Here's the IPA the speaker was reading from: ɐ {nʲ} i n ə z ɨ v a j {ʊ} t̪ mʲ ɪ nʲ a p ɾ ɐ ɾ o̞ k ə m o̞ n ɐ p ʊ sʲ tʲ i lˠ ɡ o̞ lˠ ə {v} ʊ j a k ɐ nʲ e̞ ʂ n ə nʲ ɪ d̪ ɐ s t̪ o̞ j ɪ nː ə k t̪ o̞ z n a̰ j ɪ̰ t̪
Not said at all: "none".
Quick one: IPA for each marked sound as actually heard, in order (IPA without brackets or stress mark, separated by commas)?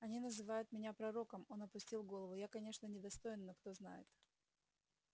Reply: nʲ, ʊ, v